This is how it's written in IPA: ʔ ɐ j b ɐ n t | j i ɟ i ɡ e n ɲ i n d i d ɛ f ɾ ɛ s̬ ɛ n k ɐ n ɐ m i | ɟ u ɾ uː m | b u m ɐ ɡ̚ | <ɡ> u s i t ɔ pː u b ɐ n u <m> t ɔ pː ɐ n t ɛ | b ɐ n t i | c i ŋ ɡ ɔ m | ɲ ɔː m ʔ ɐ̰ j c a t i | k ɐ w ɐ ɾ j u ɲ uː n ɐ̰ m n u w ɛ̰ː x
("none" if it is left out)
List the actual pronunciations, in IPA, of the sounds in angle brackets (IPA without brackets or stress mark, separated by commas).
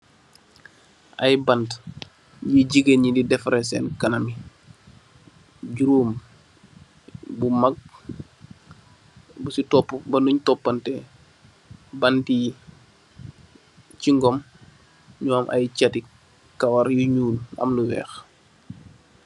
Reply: b, ɲ